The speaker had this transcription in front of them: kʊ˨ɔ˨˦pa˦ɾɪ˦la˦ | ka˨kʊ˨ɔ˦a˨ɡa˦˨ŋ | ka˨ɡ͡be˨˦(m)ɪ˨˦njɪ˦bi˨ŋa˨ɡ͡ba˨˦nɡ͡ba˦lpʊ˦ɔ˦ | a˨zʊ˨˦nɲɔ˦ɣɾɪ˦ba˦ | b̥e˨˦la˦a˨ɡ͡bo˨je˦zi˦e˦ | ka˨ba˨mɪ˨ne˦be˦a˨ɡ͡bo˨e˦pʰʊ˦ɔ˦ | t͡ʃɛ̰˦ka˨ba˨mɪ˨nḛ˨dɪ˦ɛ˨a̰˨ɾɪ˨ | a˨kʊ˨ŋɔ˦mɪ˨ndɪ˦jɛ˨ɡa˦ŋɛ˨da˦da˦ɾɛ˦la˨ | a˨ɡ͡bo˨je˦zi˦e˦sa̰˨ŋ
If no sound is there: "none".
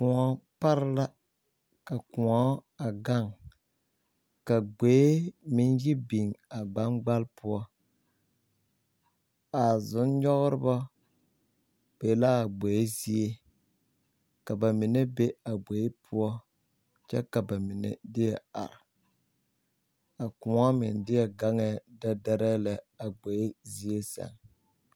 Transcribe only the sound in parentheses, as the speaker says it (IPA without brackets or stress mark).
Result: m